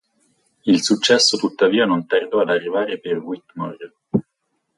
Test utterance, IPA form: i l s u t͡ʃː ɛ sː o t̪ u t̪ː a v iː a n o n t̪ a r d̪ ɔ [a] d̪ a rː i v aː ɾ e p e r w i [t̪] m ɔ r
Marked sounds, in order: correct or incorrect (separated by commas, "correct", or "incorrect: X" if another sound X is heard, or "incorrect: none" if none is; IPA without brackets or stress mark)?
correct, correct